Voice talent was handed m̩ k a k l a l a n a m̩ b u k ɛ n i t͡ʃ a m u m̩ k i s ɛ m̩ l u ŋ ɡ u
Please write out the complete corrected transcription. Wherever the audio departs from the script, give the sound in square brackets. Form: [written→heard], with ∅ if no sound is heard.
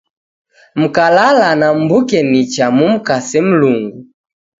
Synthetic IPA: m̩ k a [k→∅] l a l a n a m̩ b u k ɛ n i t͡ʃ a m u m̩ k [i→a] s ɛ m̩ l u ŋ ɡ u